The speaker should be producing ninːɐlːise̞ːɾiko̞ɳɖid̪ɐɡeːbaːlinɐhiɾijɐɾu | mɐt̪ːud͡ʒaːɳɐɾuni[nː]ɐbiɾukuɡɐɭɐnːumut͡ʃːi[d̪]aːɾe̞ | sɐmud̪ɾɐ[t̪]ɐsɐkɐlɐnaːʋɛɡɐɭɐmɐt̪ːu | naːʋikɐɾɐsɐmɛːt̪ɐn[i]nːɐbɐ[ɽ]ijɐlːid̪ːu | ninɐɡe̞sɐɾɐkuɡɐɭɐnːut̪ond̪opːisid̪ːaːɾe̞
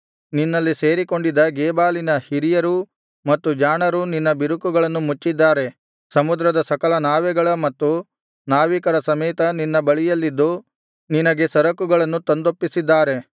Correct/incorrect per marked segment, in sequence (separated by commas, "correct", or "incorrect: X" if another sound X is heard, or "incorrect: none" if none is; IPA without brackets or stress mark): correct, incorrect: d̪ː, incorrect: d̪, correct, incorrect: ɭ